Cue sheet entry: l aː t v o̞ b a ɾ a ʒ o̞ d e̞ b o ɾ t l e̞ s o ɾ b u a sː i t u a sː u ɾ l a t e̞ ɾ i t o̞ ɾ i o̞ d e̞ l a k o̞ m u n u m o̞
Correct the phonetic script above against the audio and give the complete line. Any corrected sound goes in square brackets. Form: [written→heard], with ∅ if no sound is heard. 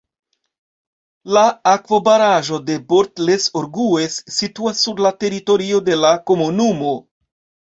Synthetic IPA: l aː [t→k] v o̞ b a ɾ a ʒ o̞ d e̞ b o ɾ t l e̞ s o ɾ [b→ɡ] u [a→e] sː i t u a sː u ɾ l a t e̞ ɾ i t o̞ ɾ i o̞ d e̞ l a k o̞ m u n u m o̞